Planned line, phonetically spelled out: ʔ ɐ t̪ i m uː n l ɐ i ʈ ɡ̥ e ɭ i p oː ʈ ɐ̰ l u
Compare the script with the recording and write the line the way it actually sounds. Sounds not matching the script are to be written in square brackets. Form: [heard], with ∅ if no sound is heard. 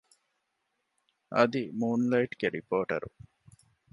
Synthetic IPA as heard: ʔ ɐ [d̪] i m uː n l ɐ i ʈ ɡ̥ e [ɾ] i p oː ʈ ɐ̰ [ɾ] u